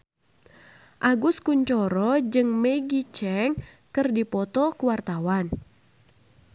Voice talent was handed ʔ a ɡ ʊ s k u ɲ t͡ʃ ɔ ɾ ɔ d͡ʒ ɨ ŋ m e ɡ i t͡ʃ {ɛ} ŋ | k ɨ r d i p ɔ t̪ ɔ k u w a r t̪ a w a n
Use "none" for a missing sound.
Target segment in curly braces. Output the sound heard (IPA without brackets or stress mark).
ɛ